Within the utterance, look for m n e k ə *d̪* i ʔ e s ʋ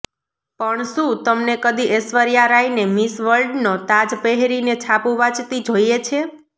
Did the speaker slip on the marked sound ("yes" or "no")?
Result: no